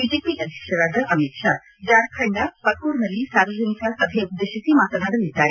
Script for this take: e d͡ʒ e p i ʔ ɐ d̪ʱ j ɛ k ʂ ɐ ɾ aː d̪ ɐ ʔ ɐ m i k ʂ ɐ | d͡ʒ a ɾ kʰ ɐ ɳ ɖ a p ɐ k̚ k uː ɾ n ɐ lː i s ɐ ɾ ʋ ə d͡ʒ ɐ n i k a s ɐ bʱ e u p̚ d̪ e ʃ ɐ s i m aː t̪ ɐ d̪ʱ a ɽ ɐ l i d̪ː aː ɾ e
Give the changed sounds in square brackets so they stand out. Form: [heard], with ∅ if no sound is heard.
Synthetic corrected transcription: [i] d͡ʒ e p i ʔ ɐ d̪ʱ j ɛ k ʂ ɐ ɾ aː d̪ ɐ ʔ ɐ m i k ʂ [a] | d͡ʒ a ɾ kʰ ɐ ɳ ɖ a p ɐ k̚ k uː ɾ n ɐ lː i s [a] ɾ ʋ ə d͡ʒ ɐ n i k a s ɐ bʱ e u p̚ d̪ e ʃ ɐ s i m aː t̪ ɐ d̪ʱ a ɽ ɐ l i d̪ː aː ɾ e